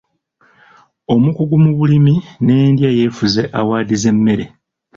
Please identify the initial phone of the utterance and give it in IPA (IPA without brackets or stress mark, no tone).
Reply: o̞